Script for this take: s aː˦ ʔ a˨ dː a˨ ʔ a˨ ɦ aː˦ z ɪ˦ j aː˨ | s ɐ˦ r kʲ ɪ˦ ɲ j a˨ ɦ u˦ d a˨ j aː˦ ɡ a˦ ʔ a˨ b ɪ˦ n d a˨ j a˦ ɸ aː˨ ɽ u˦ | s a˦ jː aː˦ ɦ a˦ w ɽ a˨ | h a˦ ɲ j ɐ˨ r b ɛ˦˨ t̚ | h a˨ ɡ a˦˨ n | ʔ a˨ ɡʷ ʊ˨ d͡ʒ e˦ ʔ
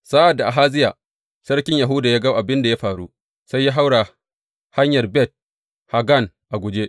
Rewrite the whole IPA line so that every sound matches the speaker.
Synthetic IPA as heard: s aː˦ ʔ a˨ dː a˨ ʔ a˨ ɦ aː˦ z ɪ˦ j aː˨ | s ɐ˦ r kʲ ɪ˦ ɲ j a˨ ɦ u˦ d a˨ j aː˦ ɡ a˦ ʔ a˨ b ɪ˦ n d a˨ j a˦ ɸ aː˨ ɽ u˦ | s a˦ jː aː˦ ɦ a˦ w ɽ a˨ | h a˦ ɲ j ɐ˨ r b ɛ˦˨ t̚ | h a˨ ɡ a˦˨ n | ʔ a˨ ɡʷ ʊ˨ d͡ʒ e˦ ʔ